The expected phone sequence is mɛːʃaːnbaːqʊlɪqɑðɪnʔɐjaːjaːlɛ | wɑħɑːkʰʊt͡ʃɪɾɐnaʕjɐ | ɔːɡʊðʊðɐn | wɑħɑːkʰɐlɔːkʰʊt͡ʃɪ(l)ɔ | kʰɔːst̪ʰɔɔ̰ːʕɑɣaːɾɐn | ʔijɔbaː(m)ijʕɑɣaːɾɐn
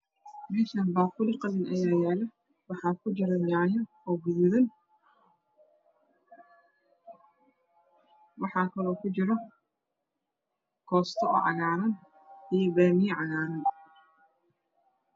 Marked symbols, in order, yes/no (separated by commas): no, yes